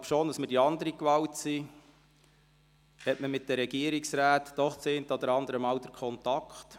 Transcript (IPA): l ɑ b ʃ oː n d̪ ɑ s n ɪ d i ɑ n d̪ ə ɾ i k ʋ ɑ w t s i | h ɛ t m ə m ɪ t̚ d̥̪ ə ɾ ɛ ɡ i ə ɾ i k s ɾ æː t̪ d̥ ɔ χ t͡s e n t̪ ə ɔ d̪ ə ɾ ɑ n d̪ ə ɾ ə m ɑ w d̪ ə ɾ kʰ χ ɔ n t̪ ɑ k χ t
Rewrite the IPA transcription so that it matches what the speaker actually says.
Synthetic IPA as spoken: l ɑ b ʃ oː n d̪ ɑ s m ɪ d i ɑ n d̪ ə ɾ i k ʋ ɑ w t s i | h ɛ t m ə m ɪ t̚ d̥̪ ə ɾ ɛ ɡ i ə ɾ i k s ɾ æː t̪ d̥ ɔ χ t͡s e n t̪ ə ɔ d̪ ə ɾ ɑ n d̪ ə ɾ ə m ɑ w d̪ ə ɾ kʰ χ ɔ n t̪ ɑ k χ t

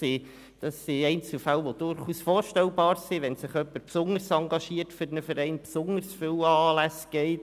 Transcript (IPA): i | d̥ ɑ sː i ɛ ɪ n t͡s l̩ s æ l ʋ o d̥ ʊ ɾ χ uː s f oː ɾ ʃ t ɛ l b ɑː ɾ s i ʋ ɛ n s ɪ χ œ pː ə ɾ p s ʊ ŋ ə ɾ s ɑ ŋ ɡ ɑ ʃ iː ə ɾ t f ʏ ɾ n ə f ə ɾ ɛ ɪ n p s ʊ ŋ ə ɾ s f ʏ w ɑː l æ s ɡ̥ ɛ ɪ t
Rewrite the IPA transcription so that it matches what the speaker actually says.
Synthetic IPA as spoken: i | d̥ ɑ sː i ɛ ɪ n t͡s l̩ f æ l ʋ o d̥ ʊ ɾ χ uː s f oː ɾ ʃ t ɛ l b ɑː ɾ s i ʋ ɛ n s ɪ χ œ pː ə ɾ p s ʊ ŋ ə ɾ s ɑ ŋ ɡ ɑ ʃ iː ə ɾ t f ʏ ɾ n ə f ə ɾ ɛ ɪ n p s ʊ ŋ ə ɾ s f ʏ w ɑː l æ s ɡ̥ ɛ ɪ t

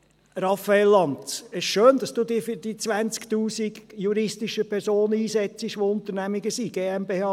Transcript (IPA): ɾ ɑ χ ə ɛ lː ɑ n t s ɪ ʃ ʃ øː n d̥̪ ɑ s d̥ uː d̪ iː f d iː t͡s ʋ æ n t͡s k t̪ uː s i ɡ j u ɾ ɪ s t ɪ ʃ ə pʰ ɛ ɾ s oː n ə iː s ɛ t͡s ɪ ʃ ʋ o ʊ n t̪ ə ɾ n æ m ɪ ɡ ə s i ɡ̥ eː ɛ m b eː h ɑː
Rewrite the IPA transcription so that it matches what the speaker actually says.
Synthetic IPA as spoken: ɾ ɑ f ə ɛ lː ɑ n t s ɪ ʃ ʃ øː n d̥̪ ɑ s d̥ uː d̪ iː f d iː t͡s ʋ æ n t͡s k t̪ uː s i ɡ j u ɾ ɪ s t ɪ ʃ ə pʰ ɛ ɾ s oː n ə iː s ɛ t͡s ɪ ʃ ʋ o ʊ n t̪ ə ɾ n æ m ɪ ɡ ə s i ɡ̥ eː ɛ m b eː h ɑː

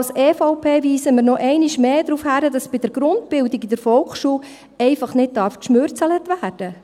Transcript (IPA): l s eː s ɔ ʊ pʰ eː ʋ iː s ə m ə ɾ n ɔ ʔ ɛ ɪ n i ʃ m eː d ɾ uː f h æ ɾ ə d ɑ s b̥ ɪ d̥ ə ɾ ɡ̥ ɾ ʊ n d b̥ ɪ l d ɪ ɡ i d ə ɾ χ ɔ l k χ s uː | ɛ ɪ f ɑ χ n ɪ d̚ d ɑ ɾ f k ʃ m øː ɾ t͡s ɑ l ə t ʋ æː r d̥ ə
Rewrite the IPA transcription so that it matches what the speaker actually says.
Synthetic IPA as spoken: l s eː f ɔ ʊ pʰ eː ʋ iː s ə m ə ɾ n ɔ ʔ ɛ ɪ n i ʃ m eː d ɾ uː f h æ ɾ ə d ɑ s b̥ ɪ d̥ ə ɾ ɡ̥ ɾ ʊ n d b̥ ɪ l d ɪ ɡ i d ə ɾ f ɔ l k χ ʃ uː | ɛ ɪ f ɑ χ n ɪ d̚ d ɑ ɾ f k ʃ m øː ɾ t͡s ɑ l ə t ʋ æː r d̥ ə

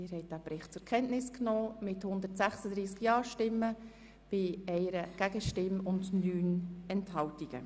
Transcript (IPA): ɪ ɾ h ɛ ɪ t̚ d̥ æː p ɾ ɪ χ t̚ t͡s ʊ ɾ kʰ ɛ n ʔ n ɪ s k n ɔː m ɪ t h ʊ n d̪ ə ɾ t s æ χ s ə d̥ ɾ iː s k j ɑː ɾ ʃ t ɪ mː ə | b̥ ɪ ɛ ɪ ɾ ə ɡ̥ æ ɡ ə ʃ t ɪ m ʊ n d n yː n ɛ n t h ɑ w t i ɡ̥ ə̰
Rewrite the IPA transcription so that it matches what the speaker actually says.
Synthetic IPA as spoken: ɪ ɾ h ɛ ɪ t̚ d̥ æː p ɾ ɪ χ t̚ t͡s ʊ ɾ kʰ ɛ n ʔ n ɪ s k n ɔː m ɪ t h ʊ n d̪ ə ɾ t s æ χ s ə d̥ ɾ iː s k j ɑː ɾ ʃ t ɪ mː ə | b̥ ɪ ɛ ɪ ɾ ə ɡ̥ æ ɡ ə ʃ t ɪ m ʊ n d n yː n ɛ n t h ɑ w t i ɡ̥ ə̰

